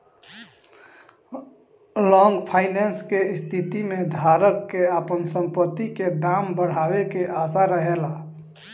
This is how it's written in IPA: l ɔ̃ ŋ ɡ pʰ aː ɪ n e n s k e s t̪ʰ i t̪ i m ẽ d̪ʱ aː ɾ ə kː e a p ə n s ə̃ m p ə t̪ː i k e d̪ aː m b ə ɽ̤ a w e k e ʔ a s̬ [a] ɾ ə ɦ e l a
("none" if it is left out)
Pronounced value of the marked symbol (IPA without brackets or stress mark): a